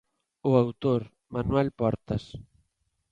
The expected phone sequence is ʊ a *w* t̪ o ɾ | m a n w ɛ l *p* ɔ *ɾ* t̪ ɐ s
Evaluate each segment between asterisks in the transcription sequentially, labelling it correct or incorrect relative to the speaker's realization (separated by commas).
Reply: correct, correct, correct